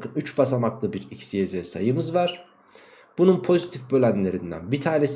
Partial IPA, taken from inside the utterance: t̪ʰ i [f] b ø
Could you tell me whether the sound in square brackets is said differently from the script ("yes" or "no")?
no